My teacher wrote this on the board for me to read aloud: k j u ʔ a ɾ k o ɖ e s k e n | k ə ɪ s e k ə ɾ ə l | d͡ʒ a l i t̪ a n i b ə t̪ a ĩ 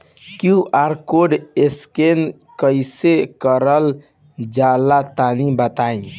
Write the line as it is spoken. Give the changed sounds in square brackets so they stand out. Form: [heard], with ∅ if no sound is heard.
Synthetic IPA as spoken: k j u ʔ a ɾ k o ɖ e s k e n | k ə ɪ s e k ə ɾ ə l | d͡ʒ a l [a] t̪ a n i b ə t̪ a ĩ

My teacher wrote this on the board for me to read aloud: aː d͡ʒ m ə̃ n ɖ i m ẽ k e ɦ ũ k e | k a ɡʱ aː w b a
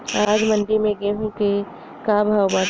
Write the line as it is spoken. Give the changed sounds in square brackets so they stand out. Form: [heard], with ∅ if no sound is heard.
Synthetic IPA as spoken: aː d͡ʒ m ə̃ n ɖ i m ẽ [ɡ] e ɦ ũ k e | k a [bʱ] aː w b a

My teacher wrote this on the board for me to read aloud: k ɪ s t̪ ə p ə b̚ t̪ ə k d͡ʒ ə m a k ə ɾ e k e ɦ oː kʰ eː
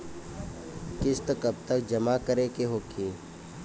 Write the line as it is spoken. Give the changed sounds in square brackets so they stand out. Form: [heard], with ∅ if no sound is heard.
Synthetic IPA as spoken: k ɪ s t̪ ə [k] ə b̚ t̪ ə k d͡ʒ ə m a k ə ɾ e k e ɦ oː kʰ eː

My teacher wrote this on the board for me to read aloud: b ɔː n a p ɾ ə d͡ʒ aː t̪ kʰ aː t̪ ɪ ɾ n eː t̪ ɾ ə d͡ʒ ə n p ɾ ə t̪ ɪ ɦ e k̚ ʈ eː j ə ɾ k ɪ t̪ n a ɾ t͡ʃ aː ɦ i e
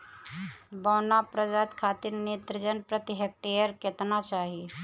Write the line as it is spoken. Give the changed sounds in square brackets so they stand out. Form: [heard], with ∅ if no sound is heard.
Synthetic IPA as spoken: b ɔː n a p ɾ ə d͡ʒ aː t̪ kʰ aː t̪ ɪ ɾ n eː t̪ ɾ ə d͡ʒ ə n p ɾ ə t̪ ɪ ɦ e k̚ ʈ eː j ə ɾ k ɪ t̪ n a [∅] t͡ʃ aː ɦ i e

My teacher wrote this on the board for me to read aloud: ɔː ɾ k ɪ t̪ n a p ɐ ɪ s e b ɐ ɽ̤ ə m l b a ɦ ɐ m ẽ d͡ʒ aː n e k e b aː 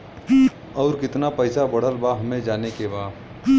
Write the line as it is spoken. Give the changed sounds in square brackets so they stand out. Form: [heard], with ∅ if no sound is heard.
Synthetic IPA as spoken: ɔː ɾ k ɪ t̪ n a p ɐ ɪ s [a] b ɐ ɽ̤ ə [∅] l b a ɦ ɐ m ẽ d͡ʒ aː n e k e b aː

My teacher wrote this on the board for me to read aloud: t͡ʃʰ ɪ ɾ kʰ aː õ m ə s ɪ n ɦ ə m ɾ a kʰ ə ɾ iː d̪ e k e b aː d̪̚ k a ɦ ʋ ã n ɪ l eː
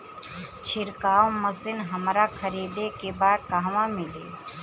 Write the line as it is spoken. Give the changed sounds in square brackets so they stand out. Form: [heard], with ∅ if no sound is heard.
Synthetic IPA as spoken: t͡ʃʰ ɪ ɾ [k] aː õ m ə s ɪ n ɦ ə m ɾ a kʰ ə ɾ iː d̪ e k e b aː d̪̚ k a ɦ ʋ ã [m] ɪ l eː

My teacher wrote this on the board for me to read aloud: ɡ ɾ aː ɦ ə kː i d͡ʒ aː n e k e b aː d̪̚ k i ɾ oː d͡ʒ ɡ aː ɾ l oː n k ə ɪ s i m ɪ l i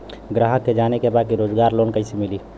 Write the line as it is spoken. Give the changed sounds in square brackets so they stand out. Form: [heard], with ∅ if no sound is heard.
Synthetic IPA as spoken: ɡ ɾ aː ɦ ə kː [e] d͡ʒ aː n e k e b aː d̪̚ k i ɾ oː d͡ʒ ɡ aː ɾ l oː n k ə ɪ s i m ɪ l i

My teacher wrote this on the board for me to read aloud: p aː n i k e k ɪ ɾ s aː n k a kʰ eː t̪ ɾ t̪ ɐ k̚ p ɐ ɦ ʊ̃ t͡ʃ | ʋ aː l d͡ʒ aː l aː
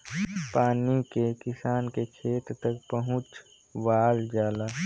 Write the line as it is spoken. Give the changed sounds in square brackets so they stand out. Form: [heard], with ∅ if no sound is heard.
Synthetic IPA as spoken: p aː n i k e k ɪ [∅] s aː n k [e] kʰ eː t̪ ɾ t̪ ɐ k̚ p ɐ ɦ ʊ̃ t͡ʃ | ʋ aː l d͡ʒ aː l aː

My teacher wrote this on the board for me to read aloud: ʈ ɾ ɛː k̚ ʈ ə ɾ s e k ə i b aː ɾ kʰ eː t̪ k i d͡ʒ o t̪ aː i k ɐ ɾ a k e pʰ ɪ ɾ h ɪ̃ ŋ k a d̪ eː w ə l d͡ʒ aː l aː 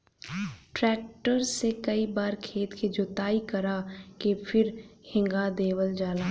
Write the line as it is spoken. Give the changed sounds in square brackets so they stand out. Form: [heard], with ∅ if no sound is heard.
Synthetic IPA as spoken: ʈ ɾ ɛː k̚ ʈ ə ɾ s e k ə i b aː ɾ kʰ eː t̪ k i d͡ʒ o t̪ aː i k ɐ ɾ a k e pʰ ɪ ɾ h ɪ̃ ŋ [ɡ] a d̪ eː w ə l d͡ʒ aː l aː

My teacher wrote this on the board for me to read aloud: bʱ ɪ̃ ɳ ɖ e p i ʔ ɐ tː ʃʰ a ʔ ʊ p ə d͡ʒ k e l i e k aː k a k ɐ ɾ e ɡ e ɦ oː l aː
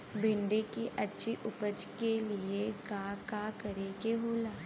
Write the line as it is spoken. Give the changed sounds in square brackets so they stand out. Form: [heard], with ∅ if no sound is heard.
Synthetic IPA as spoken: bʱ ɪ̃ ɳ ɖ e [k] i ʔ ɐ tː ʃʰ [i] ʔ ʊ p ə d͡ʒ k e l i e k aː k a k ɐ ɾ e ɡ e ɦ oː l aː

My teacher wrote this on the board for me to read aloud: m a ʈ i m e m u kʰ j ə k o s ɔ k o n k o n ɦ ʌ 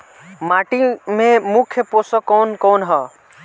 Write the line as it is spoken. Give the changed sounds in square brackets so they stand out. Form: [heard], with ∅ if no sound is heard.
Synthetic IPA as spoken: m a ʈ i m e m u kʰ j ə [p] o s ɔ k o n k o n ɦ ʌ

